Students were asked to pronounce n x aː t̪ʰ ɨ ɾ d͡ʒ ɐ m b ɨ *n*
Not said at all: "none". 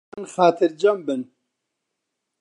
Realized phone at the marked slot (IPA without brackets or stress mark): n